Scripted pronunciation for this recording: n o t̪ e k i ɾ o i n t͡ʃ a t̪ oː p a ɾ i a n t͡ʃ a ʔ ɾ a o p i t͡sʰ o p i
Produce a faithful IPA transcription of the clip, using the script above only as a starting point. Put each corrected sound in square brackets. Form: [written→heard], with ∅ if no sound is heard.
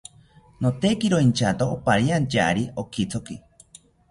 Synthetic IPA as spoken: n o t̪ e k i ɾ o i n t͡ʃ a t̪ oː p a ɾ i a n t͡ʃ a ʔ ɾ [a→i] o [p→k] i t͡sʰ o [p→k] i